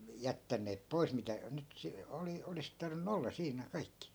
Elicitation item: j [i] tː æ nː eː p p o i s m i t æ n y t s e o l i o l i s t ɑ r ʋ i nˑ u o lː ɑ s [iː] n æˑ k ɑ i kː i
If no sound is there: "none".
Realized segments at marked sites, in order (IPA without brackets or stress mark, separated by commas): æ, iː